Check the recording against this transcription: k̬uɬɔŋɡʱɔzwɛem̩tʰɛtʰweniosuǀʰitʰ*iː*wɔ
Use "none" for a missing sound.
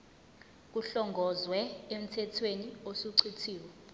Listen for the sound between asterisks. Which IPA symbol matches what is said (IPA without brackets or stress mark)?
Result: iː